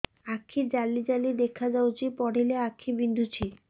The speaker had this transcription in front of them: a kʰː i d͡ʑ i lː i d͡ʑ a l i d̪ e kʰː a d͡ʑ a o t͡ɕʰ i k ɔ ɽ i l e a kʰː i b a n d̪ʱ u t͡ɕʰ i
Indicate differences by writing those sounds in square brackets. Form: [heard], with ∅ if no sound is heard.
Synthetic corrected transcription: a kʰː i d͡ʑ [a] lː i d͡ʑ a l i d̪ e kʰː a d͡ʑ a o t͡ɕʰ i [p] ɔ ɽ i l e a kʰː i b [i] n d̪ʱ u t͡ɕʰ i